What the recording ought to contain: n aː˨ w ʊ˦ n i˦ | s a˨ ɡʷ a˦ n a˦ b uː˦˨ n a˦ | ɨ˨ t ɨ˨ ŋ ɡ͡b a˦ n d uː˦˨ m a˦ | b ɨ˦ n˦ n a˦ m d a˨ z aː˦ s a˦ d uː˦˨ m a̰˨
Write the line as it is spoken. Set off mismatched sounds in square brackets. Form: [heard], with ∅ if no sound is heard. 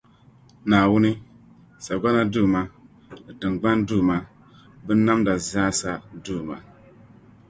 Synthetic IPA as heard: n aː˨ w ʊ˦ n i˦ | s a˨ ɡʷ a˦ n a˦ [d] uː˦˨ [m] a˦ | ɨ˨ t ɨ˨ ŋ ɡ͡b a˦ n d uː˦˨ m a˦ | b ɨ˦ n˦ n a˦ m d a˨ z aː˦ s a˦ d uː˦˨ m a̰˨